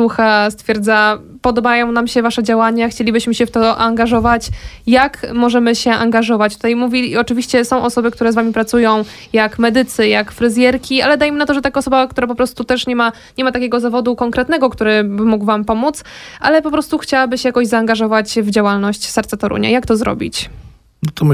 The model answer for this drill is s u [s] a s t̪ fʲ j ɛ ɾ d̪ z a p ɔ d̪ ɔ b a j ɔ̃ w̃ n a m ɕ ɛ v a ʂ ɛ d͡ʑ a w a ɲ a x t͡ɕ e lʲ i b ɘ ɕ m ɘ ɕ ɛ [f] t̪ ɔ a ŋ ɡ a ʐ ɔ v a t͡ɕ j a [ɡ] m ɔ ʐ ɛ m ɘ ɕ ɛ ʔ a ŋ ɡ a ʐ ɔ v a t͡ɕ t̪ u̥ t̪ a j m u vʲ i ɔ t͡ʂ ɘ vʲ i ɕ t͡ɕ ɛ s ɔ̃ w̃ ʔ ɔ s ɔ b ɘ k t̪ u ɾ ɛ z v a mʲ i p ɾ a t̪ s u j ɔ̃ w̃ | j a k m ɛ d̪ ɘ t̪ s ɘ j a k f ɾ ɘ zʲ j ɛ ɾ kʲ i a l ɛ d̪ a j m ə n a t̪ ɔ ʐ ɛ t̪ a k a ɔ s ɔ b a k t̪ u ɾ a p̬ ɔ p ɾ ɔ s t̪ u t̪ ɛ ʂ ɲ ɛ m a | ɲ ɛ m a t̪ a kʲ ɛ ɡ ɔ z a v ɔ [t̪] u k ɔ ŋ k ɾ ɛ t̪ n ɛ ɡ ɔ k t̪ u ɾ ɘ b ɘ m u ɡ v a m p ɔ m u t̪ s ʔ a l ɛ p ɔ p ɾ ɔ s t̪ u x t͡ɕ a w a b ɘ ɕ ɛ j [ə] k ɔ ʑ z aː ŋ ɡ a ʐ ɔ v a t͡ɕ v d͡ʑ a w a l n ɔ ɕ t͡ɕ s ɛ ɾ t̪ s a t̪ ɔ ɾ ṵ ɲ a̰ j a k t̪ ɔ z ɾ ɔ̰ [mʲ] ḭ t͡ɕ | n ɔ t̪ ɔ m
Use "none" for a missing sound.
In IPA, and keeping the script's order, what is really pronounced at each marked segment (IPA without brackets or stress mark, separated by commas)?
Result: x, f, k, d̪, a, bʲ